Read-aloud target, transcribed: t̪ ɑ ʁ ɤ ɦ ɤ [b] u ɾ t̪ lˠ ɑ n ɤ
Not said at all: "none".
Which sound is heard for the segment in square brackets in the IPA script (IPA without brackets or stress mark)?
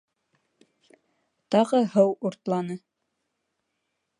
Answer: w